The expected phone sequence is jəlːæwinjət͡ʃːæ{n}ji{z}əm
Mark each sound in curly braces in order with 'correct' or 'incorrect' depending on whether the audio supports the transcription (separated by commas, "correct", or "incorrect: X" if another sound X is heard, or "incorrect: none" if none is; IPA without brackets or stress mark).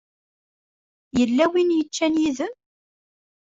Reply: correct, incorrect: ð